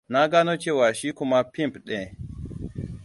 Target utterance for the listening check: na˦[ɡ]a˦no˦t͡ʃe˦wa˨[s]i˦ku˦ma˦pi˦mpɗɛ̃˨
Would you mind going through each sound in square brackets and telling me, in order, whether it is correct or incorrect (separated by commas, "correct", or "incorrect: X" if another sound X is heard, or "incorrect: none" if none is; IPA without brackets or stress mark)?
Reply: correct, incorrect: ʃ